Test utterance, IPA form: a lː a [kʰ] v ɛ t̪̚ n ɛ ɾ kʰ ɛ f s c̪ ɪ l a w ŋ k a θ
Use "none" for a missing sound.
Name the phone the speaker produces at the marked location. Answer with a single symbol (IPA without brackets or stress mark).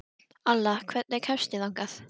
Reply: kʰ